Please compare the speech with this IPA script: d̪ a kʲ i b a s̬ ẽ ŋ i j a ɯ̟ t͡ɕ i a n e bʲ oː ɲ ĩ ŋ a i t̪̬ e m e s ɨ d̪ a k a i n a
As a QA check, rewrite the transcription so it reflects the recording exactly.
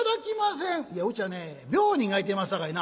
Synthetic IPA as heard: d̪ a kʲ i m a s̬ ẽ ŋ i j a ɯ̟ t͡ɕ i a n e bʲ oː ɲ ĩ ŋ a i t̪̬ e m a s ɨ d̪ a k a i n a